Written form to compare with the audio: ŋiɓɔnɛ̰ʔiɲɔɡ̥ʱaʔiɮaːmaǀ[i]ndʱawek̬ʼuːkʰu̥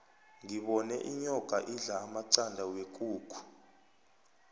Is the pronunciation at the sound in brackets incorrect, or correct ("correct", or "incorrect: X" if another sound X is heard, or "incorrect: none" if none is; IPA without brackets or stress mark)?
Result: incorrect: a